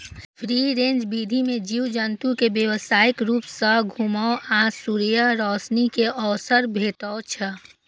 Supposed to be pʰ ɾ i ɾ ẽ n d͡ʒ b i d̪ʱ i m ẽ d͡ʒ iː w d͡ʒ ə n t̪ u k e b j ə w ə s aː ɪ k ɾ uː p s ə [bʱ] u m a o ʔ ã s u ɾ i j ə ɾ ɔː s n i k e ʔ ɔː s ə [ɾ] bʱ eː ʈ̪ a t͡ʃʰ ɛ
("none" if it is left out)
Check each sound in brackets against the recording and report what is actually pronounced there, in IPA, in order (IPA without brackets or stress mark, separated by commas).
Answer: ɡʱ, ɾ